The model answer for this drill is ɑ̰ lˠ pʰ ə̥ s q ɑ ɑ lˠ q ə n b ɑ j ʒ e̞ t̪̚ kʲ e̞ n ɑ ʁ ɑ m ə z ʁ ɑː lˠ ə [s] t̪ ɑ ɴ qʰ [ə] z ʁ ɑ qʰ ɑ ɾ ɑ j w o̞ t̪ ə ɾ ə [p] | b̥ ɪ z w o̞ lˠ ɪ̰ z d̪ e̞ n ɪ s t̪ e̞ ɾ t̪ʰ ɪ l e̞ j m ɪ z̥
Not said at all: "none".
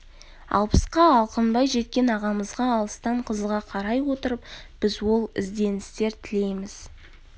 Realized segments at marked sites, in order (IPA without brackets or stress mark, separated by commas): s, ə, p